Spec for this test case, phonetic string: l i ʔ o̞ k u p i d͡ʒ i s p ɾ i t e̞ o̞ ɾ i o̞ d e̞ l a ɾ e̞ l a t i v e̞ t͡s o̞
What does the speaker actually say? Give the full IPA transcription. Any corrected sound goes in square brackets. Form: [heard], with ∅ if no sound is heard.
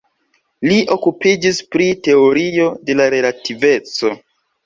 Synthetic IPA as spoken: l i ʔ o̞ k u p i d͡ʒ i s p ɾ i t e̞ o̞ ɾ i o̞ d e̞ l a ɾ e̞ l a t i v e̞ t͡s o̞